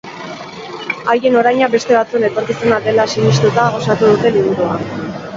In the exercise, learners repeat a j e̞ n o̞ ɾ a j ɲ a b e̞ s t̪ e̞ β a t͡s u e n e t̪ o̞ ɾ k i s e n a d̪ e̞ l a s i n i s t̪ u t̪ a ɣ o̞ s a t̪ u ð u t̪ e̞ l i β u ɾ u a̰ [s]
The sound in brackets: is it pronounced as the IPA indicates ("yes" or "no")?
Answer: no